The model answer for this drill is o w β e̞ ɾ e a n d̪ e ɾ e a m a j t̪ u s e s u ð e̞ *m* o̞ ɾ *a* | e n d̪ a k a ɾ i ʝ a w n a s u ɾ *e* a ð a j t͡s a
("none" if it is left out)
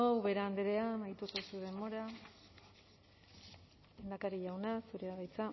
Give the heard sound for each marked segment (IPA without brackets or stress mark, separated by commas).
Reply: m, a, e